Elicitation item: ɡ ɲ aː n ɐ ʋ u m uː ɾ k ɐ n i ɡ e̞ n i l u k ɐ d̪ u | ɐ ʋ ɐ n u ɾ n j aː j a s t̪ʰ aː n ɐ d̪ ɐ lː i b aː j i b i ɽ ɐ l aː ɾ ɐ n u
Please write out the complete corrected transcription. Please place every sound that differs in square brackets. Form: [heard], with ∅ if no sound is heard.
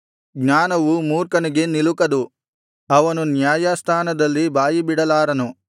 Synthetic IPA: ɡ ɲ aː n ɐ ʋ u m uː ɾ k ɐ n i ɡ e̞ n i l u k ɐ d̪ u | ɐ ʋ ɐ n u [∅] n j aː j a s t̪ʰ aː n ɐ d̪ ɐ lː i b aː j i b i ɽ ɐ l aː ɾ ɐ n u